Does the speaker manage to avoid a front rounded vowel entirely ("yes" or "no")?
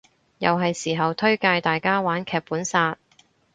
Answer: yes